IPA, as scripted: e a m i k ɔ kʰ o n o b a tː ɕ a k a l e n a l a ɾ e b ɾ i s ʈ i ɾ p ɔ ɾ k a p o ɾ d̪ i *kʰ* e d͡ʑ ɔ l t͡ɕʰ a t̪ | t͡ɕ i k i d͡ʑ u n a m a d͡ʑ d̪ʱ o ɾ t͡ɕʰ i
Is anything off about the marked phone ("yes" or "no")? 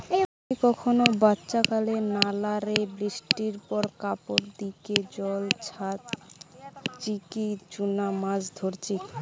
yes